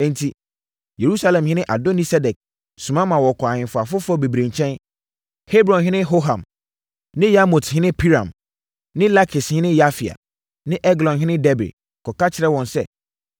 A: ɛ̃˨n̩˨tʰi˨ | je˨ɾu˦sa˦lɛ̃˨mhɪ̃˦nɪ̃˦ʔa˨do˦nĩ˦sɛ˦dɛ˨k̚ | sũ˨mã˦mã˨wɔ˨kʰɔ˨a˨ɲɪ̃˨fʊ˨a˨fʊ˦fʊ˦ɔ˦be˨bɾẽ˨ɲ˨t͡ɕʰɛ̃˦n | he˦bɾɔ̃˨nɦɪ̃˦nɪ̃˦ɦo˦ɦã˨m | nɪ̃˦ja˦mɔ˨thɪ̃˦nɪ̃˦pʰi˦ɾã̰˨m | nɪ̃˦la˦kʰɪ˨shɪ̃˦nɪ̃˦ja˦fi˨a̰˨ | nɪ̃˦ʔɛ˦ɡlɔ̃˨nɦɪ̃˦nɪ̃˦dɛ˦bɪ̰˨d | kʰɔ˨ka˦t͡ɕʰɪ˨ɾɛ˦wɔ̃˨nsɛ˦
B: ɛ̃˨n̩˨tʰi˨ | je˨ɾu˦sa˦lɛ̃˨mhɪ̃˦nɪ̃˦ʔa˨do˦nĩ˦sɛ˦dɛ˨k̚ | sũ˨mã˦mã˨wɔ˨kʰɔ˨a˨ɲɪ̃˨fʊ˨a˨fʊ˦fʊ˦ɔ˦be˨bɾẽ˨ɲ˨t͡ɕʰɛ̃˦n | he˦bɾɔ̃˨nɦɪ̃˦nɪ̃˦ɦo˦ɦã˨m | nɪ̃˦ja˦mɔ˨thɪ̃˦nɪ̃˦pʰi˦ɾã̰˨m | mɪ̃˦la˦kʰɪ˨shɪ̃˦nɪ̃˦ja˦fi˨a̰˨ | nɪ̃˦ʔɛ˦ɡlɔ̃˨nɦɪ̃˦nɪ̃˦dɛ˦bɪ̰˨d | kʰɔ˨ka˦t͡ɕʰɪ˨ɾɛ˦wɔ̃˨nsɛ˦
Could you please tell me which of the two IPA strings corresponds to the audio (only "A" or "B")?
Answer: A